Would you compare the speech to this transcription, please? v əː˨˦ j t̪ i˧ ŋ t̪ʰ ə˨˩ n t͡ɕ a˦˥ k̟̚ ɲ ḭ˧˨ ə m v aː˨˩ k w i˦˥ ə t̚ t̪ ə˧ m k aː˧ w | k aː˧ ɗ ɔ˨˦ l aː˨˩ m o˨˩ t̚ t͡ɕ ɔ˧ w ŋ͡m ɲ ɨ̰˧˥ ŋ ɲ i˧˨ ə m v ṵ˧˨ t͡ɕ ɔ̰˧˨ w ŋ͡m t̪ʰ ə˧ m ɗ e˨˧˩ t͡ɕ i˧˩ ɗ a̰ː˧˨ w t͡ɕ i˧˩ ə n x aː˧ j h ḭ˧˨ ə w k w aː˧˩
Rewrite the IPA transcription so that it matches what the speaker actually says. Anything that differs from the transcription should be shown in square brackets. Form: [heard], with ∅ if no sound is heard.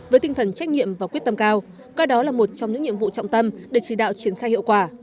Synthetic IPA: v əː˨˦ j t̪ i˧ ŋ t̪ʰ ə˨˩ n t͡ɕ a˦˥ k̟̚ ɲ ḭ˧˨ ə m v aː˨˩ k w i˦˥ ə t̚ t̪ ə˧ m k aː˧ w | k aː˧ ɗ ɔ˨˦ l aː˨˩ m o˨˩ t̚ t͡ɕ ɔ˧ w ŋ͡m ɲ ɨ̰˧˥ ŋ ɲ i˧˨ ə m v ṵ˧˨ t͡ɕ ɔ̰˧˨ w ŋ͡m [t̪] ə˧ m ɗ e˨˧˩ t͡ɕ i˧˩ ɗ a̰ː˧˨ w t͡ɕ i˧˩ ə n x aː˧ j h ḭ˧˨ ə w k w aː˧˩